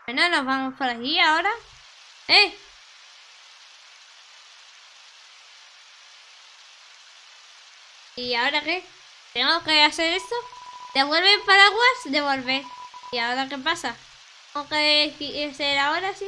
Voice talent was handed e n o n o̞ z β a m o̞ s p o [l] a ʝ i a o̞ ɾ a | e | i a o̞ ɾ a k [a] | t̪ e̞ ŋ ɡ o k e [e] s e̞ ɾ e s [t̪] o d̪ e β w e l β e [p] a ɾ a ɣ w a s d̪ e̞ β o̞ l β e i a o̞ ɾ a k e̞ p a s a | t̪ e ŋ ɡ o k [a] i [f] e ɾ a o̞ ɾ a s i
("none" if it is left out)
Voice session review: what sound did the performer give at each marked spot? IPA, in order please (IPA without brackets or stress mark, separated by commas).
ɾ, e, a, t̪, p, e, s